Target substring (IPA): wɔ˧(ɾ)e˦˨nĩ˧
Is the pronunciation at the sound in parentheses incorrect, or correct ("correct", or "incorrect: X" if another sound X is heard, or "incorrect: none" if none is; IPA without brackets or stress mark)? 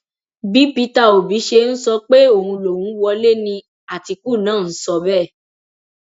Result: incorrect: l